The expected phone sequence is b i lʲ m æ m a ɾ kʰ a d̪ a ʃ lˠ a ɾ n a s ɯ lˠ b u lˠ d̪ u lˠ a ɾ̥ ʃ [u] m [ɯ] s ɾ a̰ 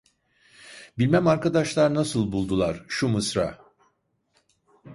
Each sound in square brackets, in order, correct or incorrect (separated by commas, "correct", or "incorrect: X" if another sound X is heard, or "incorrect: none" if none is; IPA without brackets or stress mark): correct, correct